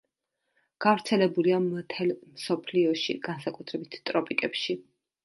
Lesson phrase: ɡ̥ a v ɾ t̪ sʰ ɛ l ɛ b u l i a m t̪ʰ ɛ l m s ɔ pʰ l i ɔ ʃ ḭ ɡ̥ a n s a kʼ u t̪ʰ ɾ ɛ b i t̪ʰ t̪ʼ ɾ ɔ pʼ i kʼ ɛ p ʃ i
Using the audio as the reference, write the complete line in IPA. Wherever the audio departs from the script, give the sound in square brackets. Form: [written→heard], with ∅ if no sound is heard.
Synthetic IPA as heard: ɡ̥ a v ɾ t̪ sʰ ɛ l ɛ b u l i a m t̪ʰ ɛ l m s ɔ pʰ l i ɔ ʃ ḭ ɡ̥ a n s a kʼ u t̪ʰ ɾ ɛ b i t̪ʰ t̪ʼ ɾ ɔ pʼ i kʼ ɛ p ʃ i